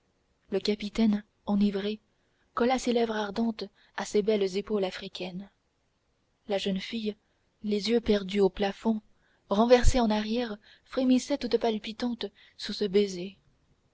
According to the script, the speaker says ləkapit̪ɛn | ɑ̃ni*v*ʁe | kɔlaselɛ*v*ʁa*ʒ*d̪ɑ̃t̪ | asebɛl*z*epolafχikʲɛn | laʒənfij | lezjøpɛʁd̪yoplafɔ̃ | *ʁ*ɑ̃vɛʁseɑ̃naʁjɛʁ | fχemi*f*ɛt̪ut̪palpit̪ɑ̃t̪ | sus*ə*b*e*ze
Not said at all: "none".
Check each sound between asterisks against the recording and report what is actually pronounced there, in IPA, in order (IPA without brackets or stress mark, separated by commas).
v, v, ʁ, z, ʁ, s, ə, e